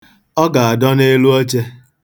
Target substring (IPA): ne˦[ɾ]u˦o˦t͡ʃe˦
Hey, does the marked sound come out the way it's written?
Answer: no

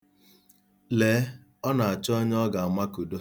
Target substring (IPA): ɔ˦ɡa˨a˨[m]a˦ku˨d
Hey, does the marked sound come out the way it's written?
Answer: yes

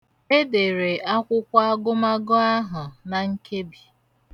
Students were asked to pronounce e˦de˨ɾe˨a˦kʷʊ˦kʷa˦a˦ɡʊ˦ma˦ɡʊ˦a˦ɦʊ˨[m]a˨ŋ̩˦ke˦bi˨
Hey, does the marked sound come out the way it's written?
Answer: no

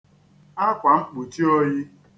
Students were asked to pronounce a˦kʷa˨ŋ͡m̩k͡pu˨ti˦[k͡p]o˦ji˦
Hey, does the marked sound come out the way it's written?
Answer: no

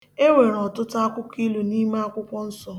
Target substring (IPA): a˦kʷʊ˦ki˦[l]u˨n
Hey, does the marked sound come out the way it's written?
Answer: yes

